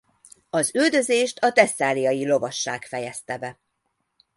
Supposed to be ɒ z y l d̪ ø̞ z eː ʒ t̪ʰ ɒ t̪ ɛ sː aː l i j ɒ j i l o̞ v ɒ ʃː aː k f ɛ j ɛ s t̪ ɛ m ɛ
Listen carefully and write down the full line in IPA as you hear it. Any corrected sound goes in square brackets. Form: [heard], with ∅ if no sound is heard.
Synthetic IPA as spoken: ɒ z y l d̪ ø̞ z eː [ʃ] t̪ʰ ɒ t̪ ɛ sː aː l i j ɒ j i l o̞ v ɒ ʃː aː k f ɛ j ɛ s t̪ ɛ [b] ɛ